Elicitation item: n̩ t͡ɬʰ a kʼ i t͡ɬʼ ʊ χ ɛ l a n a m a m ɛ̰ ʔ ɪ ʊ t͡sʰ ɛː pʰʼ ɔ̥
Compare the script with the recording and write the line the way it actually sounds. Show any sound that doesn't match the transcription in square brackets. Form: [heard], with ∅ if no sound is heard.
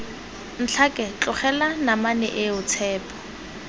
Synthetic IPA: n̩ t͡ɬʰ a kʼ [ɛ] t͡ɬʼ ʊ χ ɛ l a n a m a [n] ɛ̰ ʔ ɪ ʊ t͡sʰ ɛː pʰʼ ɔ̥

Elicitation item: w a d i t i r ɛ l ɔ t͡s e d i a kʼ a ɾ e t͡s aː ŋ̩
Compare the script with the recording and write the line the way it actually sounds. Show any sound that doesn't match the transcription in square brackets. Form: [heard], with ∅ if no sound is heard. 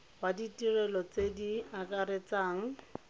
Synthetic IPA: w a d i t i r ɛ l ɔ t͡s e d i a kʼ a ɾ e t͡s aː ŋ̩

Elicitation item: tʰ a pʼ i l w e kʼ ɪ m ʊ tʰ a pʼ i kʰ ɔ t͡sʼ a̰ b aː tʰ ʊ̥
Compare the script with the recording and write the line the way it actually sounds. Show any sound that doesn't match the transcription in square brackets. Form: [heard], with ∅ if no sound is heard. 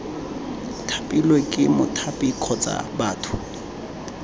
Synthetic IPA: tʰ a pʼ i l w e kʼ ɪ m ʊ tʰ a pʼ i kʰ ɔ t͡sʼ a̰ b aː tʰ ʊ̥

